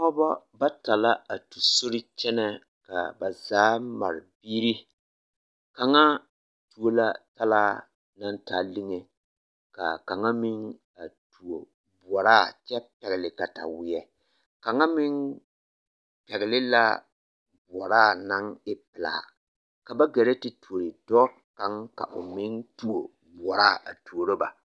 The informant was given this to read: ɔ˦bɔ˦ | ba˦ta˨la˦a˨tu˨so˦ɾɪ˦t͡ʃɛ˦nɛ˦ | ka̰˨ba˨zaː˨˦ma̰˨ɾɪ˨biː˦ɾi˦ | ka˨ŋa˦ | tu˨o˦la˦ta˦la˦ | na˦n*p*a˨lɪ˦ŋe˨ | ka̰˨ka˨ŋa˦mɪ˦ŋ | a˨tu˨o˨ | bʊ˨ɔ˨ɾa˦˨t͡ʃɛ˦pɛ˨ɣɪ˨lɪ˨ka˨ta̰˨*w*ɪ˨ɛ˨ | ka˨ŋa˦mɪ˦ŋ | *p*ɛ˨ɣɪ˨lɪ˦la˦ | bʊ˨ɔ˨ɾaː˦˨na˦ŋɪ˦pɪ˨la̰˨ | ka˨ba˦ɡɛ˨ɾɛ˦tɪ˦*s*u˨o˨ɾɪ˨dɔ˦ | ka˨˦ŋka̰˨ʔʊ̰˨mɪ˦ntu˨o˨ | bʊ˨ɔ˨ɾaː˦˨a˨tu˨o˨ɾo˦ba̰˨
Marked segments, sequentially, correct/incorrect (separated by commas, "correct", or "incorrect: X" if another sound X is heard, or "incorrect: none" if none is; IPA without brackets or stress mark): incorrect: t, correct, correct, incorrect: t